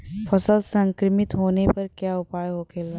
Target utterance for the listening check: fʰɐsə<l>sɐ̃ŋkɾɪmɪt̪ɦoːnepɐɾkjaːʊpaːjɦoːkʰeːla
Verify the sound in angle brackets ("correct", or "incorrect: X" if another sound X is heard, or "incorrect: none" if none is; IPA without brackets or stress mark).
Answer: correct